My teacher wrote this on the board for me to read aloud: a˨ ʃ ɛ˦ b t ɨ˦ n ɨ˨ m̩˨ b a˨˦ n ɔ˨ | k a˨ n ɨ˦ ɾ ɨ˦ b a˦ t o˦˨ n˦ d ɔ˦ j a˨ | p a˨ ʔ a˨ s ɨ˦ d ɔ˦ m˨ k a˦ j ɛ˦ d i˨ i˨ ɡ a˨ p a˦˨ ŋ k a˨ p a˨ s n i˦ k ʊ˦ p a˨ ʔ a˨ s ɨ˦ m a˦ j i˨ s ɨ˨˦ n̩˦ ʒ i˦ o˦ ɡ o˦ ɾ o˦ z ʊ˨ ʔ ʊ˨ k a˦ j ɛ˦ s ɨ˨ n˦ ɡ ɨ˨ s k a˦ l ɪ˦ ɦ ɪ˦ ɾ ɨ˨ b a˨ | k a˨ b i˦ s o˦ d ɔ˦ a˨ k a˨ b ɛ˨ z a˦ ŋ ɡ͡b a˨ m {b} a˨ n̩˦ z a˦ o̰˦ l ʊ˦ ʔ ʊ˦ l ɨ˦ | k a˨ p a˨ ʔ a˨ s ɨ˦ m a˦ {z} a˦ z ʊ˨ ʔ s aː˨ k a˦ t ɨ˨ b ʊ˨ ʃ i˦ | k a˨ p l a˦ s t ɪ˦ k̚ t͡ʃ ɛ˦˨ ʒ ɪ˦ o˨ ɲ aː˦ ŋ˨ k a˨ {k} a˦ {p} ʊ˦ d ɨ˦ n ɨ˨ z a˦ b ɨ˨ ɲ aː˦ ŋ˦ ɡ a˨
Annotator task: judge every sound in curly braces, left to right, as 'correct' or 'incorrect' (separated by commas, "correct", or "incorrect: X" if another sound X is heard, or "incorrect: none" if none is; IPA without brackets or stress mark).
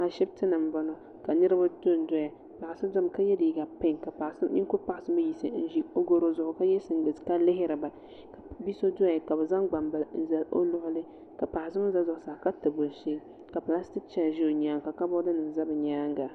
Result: correct, correct, correct, incorrect: b